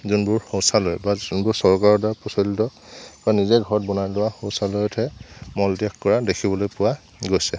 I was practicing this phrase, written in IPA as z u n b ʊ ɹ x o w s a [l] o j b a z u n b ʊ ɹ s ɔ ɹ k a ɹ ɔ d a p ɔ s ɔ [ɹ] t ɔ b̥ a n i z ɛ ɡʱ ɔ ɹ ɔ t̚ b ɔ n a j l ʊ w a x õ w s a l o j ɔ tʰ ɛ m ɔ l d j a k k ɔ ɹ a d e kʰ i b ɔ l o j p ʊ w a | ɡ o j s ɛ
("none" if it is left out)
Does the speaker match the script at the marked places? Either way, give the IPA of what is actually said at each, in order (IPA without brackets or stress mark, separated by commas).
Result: l, l